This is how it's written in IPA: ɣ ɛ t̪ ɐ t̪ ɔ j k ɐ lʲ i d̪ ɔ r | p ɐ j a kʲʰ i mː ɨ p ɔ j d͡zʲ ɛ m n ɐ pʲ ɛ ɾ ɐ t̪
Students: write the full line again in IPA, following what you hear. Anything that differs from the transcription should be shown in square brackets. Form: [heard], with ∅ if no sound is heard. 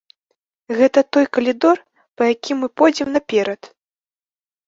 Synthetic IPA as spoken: ɣ ɛ t̪ ɐ t̪ ɔ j k ɐ lʲ i d̪ ɔ r | p ɐ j a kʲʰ i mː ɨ p ɔ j d͡zʲ ɛ m n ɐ pʲ ɛ ɾ ɐ t̪